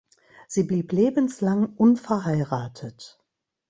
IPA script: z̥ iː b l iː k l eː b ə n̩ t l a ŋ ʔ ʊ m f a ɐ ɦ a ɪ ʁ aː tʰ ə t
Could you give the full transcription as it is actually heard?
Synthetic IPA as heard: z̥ iː b l iː p l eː b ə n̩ s l a ŋ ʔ ʊ n f ɛ ɐ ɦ a ɪ ʁ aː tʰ ə t